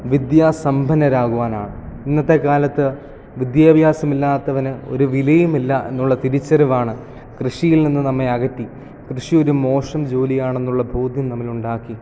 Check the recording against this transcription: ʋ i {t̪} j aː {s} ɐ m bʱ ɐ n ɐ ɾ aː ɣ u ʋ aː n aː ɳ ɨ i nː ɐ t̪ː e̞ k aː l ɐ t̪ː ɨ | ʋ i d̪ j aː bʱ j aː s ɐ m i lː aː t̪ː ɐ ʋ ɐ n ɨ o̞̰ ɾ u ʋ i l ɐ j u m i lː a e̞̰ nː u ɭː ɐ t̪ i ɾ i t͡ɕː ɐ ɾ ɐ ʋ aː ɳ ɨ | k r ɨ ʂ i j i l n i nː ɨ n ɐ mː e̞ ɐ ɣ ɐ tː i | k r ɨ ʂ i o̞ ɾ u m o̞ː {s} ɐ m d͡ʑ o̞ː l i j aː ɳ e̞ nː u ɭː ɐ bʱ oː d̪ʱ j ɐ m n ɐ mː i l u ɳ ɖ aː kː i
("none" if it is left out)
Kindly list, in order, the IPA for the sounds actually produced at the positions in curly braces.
d̪, s, ʂ

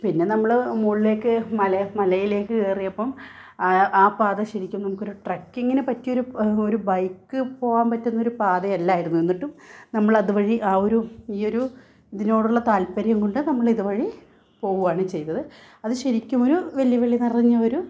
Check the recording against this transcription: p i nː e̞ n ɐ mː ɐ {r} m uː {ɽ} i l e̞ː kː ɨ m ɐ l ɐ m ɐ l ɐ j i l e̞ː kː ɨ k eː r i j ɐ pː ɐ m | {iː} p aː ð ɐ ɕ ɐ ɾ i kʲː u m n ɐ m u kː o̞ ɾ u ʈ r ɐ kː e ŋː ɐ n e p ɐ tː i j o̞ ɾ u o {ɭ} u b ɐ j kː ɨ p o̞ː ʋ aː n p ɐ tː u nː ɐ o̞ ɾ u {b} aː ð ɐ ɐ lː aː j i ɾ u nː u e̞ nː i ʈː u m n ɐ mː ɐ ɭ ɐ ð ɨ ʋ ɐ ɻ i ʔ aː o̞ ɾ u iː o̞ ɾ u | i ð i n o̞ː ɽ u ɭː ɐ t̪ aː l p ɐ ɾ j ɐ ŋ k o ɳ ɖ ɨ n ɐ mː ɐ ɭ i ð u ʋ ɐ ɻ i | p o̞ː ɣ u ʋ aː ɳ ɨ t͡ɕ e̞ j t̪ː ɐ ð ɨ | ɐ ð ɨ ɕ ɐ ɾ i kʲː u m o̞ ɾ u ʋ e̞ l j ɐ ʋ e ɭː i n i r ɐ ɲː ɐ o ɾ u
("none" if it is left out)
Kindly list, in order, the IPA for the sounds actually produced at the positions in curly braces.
ɭ, ɭ, aː, ɾ, p

